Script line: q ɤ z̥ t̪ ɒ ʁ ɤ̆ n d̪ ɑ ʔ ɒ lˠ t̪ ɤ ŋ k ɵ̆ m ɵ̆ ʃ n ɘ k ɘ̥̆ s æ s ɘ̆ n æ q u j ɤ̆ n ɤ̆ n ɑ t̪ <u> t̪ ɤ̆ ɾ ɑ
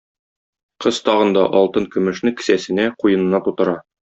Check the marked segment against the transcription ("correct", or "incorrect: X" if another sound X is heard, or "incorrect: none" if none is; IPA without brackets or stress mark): correct